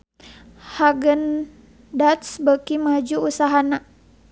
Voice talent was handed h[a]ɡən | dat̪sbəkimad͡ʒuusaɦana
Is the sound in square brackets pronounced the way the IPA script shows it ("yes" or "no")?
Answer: yes